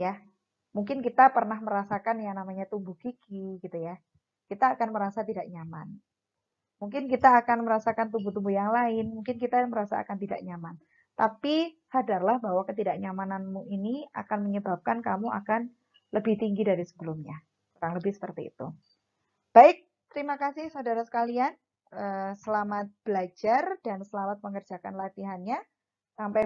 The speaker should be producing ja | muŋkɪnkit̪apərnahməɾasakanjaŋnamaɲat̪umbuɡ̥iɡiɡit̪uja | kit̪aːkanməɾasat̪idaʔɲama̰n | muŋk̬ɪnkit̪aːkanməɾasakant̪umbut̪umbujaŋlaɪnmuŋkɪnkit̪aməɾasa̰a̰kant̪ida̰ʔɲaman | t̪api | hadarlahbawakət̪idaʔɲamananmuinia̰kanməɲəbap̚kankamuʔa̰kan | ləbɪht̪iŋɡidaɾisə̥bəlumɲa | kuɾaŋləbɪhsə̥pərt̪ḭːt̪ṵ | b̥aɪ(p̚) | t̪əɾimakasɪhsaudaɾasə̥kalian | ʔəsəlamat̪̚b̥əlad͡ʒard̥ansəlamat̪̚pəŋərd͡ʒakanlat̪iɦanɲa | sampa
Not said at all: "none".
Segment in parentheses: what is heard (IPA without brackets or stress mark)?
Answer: k̚